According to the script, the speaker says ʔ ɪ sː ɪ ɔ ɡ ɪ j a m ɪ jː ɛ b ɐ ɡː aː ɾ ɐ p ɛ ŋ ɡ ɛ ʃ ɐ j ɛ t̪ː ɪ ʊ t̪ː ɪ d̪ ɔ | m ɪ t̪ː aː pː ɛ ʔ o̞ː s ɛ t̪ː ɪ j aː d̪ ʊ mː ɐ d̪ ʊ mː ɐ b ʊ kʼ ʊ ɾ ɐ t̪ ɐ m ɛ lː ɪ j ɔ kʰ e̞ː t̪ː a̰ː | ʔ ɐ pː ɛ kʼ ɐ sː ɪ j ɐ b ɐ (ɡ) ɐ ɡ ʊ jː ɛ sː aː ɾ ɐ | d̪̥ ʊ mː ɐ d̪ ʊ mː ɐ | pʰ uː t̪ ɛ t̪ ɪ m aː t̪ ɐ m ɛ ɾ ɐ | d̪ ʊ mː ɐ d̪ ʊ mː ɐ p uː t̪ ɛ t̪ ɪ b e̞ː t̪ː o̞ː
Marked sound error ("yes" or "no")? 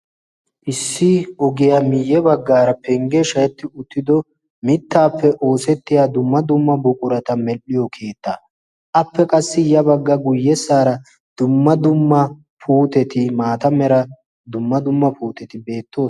yes